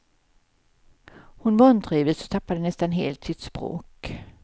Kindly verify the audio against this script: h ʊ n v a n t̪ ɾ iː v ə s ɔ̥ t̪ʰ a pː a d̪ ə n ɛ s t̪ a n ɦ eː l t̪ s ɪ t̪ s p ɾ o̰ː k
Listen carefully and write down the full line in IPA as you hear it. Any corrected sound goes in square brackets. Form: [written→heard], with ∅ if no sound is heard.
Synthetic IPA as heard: h ʊ n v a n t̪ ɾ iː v ə s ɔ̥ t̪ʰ a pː a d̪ ə n ɛ s t̪ a n ɦ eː l t̪ s ɪ t̪ s p ɾ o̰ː k

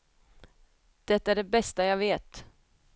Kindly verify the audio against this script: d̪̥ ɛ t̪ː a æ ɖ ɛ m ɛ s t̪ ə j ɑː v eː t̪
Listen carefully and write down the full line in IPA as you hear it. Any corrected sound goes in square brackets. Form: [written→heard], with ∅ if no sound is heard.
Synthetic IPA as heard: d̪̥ ɛ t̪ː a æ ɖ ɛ [m→b] ɛ s t̪ [ə→a] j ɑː v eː t̪

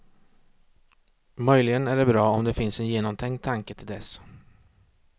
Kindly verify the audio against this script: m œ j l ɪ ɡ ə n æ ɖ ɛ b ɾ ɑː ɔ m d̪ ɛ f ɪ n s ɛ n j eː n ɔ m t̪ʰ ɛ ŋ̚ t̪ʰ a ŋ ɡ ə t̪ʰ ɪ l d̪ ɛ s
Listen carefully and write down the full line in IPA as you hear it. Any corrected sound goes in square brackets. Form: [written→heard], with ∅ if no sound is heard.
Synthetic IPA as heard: m œ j l ɪ ɡ ə n æ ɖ ɛ b ɾ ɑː ɔ m d̪ ɛ f ɪ n s ɛ n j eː n ɔ m t̪ʰ ɛ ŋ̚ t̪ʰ a ŋ [ɡ→k] ə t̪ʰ ɪ l d̪ ɛ s

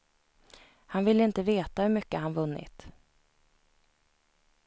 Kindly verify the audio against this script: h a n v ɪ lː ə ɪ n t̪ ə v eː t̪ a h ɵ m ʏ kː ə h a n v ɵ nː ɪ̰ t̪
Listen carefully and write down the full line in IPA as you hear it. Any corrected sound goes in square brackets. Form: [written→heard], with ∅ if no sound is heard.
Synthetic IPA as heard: h a n v ɪ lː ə ɪ n t̪ ə v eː t̪ a h ɵ m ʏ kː ə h a n v ɵ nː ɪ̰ t̪

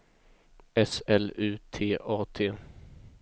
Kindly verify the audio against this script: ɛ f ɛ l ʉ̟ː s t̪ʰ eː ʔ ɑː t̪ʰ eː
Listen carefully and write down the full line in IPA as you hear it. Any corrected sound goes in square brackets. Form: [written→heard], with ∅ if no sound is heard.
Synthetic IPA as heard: ɛ [f→s] ɛ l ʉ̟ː [s→∅] t̪ʰ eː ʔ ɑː t̪ʰ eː

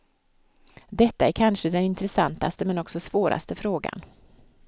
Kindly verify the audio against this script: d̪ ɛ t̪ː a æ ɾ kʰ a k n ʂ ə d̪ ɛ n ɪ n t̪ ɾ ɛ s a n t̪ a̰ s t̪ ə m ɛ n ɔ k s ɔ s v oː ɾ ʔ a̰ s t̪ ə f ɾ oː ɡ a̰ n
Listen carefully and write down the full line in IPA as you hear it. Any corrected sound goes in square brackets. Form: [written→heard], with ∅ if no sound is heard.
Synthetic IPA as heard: d̪ ɛ t̪ː a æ ɾ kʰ a [k→∅] n ʂ ə d̪ ɛ n ɪ n t̪ ɾ ɛ s a n t̪ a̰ s t̪ ə m ɛ n ɔ k s ɔ s v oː ɾ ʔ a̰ s t̪ ə f ɾ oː ɡ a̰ n

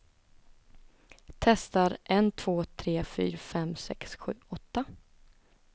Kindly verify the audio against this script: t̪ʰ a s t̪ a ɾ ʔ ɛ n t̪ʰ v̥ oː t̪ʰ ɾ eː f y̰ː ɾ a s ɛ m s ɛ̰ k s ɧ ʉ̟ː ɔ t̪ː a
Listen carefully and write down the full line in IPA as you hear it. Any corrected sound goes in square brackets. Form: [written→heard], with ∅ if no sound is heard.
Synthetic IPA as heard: t̪ʰ [a→ɛ] s t̪ a ɾ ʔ ɛ n t̪ʰ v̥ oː t̪ʰ ɾ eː f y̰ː ɾ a [s→f] ɛ m s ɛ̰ k s ɧ ʉ̟ː ɔ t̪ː a

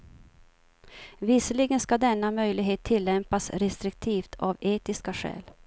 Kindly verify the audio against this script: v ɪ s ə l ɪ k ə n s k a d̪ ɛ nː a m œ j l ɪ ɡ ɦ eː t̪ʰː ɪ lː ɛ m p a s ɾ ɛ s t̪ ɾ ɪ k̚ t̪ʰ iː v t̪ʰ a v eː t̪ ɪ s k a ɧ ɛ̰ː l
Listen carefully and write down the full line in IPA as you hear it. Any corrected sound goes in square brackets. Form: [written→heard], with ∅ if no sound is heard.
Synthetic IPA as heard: v ɪ s ə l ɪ [k→ɡ] ə n s k a d̪ ɛ nː a m œ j l ɪ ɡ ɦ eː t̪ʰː ɪ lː ɛ m p a s ɾ ɛ s t̪ ɾ ɪ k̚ t̪ʰ iː [v→f] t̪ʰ a v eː t̪ ɪ s k a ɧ ɛ̰ː l

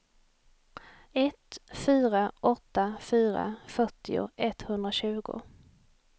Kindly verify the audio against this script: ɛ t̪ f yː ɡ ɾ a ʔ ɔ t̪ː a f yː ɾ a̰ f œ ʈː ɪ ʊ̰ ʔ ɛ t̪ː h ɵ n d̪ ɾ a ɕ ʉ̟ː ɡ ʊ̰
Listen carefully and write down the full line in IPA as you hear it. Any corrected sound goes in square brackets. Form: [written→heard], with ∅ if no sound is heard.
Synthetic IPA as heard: ɛ t̪ f yː [ɡ→∅] ɾ a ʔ ɔ t̪ː a f yː ɾ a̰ f œ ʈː ɪ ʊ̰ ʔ ɛ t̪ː h ɵ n d̪ ɾ a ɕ ʉ̟ː ɡ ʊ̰

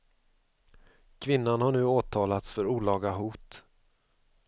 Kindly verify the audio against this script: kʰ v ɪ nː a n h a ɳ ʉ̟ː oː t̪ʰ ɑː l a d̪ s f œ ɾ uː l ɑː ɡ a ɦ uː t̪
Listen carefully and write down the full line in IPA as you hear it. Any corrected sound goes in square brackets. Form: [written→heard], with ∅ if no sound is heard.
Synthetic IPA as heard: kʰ v ɪ nː a n h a ɳ ʉ̟ː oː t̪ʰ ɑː l a [d̪→t̪] s f œ ɾ uː l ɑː ɡ a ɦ uː t̪

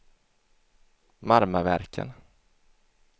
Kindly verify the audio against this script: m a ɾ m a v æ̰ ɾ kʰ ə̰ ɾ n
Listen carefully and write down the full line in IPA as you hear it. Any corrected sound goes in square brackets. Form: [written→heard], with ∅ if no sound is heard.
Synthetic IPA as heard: m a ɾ m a v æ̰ ɾ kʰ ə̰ [ɾ→∅] n

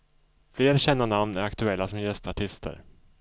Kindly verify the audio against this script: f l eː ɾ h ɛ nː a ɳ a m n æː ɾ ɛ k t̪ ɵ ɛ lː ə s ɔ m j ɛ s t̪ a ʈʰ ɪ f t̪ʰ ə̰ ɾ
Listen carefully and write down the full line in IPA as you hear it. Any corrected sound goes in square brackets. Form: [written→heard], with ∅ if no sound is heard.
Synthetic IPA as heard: f l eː ɾ [h→ɕ] ɛ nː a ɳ a m n [æː→æ] ɾ [ɛ→a] k t̪ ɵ ɛ lː [ə→a] s ɔ m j ɛ s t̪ a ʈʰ ɪ [f→s] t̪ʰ ə̰ ɾ

